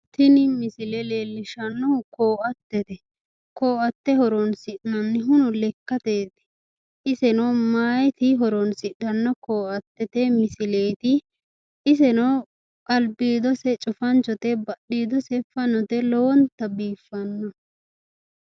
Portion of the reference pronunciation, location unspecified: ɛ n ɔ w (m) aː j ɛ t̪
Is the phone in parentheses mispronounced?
no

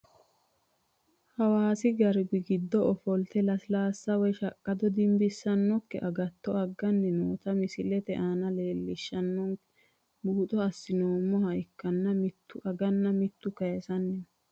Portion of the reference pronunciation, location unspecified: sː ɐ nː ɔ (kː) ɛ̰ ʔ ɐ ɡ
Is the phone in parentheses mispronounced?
no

